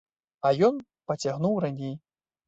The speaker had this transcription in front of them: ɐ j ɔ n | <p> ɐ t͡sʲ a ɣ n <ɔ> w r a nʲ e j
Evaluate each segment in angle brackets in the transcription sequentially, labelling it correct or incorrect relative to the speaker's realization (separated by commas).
correct, incorrect